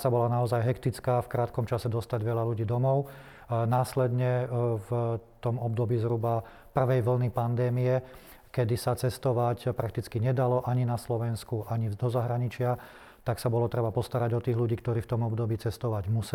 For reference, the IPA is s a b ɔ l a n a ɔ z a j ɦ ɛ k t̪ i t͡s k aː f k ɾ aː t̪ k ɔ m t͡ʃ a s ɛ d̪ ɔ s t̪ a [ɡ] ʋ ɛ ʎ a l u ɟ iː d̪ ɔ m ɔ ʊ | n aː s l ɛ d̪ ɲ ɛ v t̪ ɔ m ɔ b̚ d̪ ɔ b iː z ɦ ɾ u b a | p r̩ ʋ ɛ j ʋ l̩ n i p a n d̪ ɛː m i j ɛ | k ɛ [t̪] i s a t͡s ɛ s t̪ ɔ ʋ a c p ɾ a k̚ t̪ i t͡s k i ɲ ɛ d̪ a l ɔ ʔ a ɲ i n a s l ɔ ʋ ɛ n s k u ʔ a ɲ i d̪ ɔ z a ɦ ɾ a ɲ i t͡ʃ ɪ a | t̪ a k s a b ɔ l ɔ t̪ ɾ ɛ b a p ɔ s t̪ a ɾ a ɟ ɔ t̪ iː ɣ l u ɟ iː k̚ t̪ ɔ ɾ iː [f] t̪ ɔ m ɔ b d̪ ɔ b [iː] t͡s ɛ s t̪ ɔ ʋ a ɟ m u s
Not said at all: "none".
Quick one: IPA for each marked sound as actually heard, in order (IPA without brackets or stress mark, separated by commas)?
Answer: ɟ, d̪, f, iː